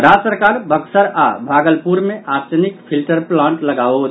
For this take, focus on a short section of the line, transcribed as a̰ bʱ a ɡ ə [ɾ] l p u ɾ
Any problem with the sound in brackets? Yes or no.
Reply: yes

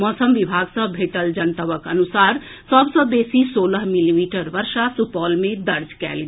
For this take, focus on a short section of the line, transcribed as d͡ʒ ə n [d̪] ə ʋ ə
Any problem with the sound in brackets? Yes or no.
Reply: yes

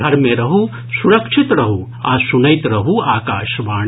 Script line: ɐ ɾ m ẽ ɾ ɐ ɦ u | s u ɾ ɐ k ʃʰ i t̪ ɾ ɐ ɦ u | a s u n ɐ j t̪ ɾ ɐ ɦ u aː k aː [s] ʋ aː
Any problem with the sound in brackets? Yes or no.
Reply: yes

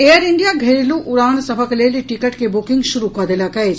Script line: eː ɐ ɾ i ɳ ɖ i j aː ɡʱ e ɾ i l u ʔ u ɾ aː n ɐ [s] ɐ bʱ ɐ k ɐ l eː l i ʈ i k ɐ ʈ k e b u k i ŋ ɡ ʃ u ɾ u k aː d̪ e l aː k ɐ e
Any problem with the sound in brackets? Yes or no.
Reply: no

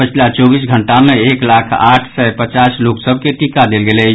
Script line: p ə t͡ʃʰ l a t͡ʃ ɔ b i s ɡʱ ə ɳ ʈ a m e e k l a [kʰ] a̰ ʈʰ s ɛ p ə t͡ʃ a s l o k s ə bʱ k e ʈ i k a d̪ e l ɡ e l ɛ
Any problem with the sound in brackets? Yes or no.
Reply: no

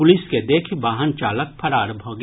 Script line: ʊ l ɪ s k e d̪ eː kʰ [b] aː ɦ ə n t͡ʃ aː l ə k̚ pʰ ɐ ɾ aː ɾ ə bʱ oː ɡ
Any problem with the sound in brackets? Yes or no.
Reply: no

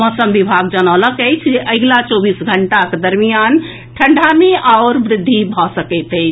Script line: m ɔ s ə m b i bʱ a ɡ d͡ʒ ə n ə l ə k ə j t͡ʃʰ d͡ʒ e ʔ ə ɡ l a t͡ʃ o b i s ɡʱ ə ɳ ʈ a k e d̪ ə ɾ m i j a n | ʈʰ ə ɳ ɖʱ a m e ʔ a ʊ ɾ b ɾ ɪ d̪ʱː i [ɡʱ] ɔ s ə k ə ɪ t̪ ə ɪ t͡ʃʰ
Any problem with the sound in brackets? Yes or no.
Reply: yes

